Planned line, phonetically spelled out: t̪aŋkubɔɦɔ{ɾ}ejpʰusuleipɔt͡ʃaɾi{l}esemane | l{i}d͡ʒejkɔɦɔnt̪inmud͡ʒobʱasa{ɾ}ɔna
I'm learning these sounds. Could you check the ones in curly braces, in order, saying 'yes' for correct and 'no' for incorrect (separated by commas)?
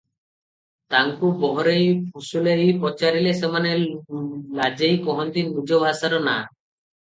yes, yes, no, yes